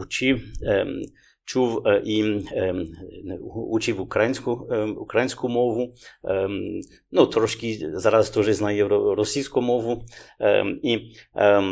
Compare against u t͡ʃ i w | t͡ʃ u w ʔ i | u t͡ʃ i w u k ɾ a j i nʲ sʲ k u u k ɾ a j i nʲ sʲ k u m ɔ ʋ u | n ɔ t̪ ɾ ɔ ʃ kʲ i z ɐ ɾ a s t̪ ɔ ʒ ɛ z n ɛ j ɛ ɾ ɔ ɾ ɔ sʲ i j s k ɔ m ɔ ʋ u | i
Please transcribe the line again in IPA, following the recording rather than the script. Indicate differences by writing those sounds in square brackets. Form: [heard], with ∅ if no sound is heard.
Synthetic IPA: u t͡ʃ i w | t͡ʃ u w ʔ i | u t͡ʃ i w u k ɾ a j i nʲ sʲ k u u k ɾ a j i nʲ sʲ k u m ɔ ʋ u | n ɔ t̪ ɾ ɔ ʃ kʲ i z [a] ɾ a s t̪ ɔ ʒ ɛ z n [a] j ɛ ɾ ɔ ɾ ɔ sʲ i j s k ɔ m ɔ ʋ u | i